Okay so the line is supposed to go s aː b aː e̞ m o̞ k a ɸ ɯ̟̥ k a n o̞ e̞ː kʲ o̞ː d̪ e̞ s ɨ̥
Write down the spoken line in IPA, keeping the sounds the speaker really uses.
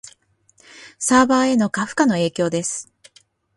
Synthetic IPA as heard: s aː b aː e̞ n o̞ k a ɸ ɯ̟̥ k a n o̞ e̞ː kʲ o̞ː d̪ e̞ s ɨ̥